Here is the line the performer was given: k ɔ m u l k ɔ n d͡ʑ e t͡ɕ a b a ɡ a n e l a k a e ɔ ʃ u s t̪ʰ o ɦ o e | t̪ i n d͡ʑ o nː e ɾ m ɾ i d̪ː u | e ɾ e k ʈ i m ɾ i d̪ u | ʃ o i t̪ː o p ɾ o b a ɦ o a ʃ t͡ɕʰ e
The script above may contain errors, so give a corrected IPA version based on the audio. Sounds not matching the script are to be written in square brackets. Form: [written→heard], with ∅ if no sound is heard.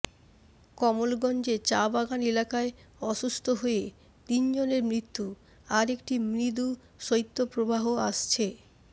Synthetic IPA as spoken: k ɔ m [u→o] l [k→ɡ] ɔ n d͡ʑ e t͡ɕ a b a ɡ a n e l a k a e ɔ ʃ u s t̪ʰ o ɦ o e | t̪ i n d͡ʑ o [nː→n] e ɾ m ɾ i [d̪ː→t̪ː] u | [e→a] ɾ e k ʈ i m ɾ i d̪ u | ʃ o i t̪ː o p ɾ o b a ɦ o a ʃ t͡ɕʰ e